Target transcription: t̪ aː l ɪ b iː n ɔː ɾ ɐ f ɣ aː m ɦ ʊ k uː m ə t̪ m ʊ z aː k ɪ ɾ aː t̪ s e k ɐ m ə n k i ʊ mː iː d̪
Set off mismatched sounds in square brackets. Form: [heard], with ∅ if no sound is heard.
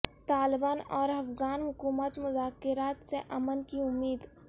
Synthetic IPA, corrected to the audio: t̪ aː l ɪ b [aː] n ɔː ɾ ɐ f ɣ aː [n] ɦ ʊ k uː m ə t̪ m ʊ z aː k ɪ ɾ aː t̪ s e [ʔ] ɐ m ə n k i ʊ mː iː d̪